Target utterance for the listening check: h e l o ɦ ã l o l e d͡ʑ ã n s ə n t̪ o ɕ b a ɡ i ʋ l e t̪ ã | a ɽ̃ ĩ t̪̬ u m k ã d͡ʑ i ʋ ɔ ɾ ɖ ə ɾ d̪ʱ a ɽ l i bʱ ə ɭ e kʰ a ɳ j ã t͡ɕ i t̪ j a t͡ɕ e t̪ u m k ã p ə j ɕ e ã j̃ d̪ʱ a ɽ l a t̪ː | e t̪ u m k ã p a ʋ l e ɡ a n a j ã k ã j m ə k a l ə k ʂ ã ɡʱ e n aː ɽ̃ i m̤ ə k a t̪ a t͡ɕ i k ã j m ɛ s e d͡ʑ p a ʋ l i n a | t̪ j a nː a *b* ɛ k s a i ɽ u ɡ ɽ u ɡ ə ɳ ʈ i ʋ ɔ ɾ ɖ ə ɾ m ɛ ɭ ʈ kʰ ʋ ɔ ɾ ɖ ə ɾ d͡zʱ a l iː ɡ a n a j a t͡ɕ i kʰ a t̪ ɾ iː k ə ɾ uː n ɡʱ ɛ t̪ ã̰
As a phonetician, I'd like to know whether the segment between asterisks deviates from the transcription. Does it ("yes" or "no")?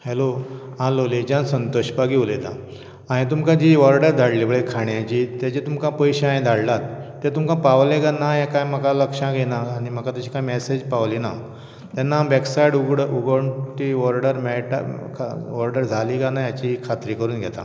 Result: no